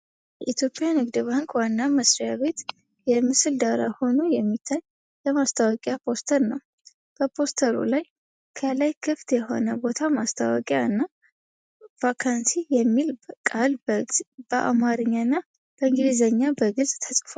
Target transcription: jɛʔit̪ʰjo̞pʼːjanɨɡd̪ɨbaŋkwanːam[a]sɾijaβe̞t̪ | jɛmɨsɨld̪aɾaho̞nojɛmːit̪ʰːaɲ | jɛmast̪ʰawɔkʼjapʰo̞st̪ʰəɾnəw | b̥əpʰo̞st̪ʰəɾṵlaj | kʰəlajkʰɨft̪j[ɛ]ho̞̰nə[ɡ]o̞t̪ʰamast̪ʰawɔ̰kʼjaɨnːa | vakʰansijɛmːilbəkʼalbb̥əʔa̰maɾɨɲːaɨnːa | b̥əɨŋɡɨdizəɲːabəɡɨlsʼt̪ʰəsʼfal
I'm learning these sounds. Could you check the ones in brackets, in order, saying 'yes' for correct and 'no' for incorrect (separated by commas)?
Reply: no, yes, no